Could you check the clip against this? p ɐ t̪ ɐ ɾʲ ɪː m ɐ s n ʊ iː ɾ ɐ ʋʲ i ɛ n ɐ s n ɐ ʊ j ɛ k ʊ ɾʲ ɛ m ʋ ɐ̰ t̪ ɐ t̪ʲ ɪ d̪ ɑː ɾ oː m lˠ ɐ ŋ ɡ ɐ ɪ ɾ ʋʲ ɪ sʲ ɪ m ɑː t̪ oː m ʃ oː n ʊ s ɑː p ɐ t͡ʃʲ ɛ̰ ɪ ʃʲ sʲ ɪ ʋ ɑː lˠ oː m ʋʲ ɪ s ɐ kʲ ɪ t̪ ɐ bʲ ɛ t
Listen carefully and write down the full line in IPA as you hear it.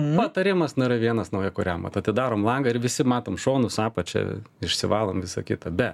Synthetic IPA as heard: p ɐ t̪ ɐ ɾʲ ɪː m ɐ s n ʊ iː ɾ ɐ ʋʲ i ɛ n ɐ s n ɐ ʊ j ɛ k ʊ ɾʲ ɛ m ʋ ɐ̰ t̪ ɐ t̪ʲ ɪ d̪ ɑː ɾ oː m lˠ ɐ ŋ ɡ ɐ ɪ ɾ ʋʲ ɪ sʲ ɪ m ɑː t̪ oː m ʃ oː n ʊ s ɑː p ɐ t͡ʃʲ ɛ̰ ɪ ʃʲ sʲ ɪ ʋ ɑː lˠ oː m ʋʲ ɪ s ɐ kʲ ɪ t̪ ɐ bʲ ɛ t

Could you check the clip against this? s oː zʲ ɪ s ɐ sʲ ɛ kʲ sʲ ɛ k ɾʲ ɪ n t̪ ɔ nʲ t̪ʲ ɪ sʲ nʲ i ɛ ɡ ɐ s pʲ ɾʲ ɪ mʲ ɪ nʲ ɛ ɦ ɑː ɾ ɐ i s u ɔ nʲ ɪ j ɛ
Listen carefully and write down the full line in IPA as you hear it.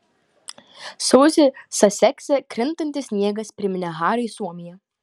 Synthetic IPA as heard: s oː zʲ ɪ s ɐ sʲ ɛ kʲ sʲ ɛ k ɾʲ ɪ n t̪ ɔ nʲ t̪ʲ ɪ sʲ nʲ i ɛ ɡ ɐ s pʲ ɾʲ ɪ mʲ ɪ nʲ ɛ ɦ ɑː ɾ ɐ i s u ɔ mʲ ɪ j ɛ

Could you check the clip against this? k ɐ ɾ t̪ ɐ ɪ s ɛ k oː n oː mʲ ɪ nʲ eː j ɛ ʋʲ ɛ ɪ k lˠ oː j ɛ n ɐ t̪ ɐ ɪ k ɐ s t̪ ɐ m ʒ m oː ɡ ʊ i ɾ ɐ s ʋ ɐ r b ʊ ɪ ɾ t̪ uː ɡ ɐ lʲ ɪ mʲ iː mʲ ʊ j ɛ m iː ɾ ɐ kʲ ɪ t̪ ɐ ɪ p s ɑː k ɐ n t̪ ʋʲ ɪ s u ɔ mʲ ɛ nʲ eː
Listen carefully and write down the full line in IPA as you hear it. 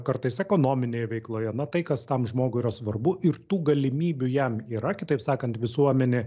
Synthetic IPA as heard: k ɐ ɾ t̪ ɐ ɪ s ɛ k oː n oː mʲ ɪ nʲ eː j ɛ ʋʲ ɛ ɪ k lˠ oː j ɛ n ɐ t̪ ɐ ɪ k ɐ s t̪ ɐ m ʒ m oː ɡ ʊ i ɾ ɐ s ʋ ɐ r b ʊ ɪ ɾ t̪ uː ɡ ɐ lʲ ɪ mʲ iː bʲ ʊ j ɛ m iː ɾ ɐ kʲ ɪ t̪ ɐ ɪ p s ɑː k ɐ n t̪ ʋʲ ɪ s u ɔ mʲ ɛ nʲ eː

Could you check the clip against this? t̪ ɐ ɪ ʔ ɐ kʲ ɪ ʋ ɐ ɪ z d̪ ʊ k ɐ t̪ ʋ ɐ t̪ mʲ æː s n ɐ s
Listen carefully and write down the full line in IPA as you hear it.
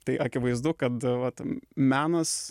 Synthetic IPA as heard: t̪ ɐ ɪ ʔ ɐ kʲ ɪ ʋ ɐ ɪ z d̪ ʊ k ɐ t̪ ʋ ɐ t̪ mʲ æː n ɐ s

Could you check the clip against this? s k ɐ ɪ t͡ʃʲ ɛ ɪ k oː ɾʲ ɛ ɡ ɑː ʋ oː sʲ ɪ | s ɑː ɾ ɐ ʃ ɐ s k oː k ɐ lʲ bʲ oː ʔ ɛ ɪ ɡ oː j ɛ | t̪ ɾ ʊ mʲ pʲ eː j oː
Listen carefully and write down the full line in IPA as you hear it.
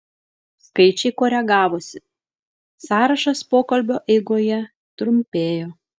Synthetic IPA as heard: s k ɐ ɪ t͡ʃʲ ɛ ɪ k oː ɾʲ ɛ ɡ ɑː ʋ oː sʲ ɪ | s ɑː ɾ ɐ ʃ ɐ s p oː k ɐ lʲ bʲ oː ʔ ɛ ɪ ɡ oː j ɛ | t̪ ɾ ʊ mʲ pʲ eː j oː

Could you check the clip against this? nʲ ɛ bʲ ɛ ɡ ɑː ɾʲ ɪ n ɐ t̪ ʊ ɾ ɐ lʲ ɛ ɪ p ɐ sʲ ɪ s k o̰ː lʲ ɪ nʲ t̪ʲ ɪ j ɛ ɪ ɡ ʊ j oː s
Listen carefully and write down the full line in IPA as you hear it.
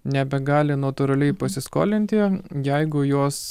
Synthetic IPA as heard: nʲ ɛ bʲ ɛ ɡ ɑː lʲ ɪ n ɐ t̪ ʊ ɾ ɐ lʲ ɛ ɪ p ɐ sʲ ɪ s k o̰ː lʲ ɪ nʲ t̪ʲ ɪ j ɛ ɪ ɡ ʊ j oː s

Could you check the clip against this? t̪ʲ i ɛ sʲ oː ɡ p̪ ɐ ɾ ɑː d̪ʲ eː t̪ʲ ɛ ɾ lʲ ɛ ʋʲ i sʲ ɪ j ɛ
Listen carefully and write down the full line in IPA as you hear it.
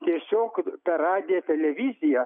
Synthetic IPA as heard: t̪ʲ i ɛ sʲ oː k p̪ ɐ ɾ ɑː d̪ʲ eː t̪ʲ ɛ lʲ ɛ ʋʲ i zʲ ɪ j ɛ

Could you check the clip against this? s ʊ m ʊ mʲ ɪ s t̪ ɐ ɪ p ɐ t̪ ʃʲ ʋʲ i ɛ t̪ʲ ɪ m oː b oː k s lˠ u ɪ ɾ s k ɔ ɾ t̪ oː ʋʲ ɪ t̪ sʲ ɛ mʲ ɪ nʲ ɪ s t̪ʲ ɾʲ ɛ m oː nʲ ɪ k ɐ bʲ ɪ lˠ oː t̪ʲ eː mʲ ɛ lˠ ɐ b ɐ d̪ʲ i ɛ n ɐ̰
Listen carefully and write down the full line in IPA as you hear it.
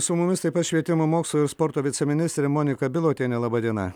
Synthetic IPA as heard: s ʊ m ʊ mʲ ɪ s t̪ ɐ ɪ p ɐ t̪ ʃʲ ʋʲ i ɛ t̪ʲ ɪ m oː m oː k s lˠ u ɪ ɾ s p ɔ ɾ t̪ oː ʋʲ ɪ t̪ sʲ ɛ mʲ ɪ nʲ ɪ s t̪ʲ ɾʲ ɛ m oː nʲ ɪ k ɐ bʲ ɪ lˠ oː t̪ʲ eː nʲ ɛ lˠ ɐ b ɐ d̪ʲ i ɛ n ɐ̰

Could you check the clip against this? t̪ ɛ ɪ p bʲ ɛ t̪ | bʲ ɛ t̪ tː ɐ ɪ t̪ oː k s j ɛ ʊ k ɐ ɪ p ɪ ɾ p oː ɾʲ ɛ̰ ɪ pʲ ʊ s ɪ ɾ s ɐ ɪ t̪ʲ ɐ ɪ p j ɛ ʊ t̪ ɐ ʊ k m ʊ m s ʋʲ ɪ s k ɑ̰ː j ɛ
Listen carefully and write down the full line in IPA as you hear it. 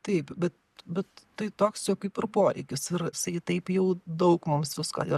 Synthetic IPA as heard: t̪ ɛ ɪ p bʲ ɛ t̪ | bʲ ɛ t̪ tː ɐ ɪ t̪ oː k s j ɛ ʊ k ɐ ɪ p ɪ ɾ p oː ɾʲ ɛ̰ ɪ kʲ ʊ s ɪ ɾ s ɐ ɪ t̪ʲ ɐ ɪ p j ɛ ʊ d̪ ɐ ʊ k m ʊ m s ʋʲ ɪ s k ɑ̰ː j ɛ

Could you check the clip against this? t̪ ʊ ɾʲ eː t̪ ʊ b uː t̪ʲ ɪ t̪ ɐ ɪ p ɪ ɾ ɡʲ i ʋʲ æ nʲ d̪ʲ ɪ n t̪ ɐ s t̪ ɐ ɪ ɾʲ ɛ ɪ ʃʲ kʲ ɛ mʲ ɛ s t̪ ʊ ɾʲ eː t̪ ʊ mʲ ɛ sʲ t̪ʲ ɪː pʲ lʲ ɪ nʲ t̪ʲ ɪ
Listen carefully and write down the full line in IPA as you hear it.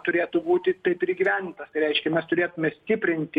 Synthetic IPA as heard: t̪ ʊ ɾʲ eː t̪ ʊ b uː t̪ʲ ɪ t̪ ɐ ɪ p ɪ ɾ ɡʲ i ʋʲ æ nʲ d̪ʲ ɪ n t̪ ɐ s t̪ ɐ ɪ ɾʲ ɛ ɪ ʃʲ kʲ ɛ mʲ ɛ s t̪ ʊ ɾʲ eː t̪ ʊ mʲ ɛ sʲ t̪ʲ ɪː pʲ ɾʲ ɪ nʲ t̪ʲ ɪ

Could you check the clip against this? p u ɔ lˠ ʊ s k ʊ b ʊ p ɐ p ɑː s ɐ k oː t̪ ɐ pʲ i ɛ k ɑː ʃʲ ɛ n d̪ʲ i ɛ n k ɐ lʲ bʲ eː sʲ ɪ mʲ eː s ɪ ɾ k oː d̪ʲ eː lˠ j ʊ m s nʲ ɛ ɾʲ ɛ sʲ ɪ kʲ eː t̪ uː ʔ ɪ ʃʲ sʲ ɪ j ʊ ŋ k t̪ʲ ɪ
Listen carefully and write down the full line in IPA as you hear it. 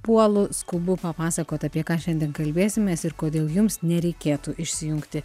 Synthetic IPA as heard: p u ɔ lˠ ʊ s k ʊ b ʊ p ɐ p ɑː s ɐ k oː t̪ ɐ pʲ i ɛ k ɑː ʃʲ ɛ n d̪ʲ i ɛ n k ɐ lʲ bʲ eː sʲ ɪ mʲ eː s ɪ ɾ k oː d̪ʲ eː lˠ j ʊ m s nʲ ɛ ɾʲ ɛ ɪ kʲ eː t̪ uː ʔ ɪ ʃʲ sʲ ɪ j ʊ ŋ k t̪ʲ ɪ

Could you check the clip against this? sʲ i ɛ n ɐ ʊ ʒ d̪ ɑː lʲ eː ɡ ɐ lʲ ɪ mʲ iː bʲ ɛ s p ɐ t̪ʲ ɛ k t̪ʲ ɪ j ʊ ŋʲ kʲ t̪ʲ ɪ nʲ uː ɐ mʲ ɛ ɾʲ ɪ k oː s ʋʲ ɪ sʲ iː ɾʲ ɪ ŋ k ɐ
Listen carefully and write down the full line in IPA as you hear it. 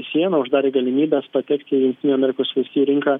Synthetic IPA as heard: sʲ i ɛ n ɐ ʊ ʒ d̪ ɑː ɾʲ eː ɡ ɐ lʲ ɪ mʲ iː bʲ ɛ s p ɐ t̪ʲ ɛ k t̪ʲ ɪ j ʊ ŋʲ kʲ t̪ʲ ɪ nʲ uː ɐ mʲ ɛ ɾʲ ɪ k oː s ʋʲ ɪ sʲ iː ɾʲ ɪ ŋ k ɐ

